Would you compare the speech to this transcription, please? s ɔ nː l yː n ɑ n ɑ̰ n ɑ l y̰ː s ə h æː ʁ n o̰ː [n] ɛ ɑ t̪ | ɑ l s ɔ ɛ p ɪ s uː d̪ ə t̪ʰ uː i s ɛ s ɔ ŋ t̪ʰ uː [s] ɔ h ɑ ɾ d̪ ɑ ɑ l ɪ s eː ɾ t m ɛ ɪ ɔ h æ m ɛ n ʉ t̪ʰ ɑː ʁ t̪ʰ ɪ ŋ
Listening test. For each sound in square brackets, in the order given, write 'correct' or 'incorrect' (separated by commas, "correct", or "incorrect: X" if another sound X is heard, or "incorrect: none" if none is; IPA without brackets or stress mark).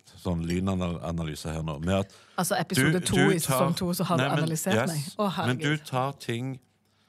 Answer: incorrect: m, correct